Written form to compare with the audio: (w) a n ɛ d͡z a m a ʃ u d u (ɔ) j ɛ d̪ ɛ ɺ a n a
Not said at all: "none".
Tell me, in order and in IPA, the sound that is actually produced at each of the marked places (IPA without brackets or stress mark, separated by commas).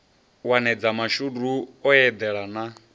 w, ɔ